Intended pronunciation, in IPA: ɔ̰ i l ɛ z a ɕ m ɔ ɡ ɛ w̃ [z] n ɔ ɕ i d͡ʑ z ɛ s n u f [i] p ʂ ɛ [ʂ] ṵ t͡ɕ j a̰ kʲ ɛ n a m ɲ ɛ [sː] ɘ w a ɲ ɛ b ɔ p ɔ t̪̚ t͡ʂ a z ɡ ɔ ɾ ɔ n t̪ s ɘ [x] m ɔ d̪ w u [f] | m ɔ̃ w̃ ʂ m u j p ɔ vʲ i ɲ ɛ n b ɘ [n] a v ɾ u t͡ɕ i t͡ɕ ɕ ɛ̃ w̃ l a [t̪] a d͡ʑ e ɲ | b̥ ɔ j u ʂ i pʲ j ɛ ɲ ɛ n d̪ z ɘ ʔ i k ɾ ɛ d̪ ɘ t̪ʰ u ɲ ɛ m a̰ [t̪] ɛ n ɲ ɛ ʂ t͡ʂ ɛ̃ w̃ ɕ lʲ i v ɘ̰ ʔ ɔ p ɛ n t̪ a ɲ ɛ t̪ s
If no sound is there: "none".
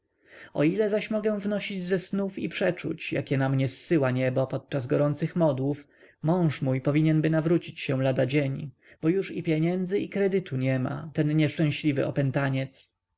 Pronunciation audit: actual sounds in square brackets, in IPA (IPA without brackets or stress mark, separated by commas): v, i, t͡ʂ, sː, x, f, n, d̪, t̪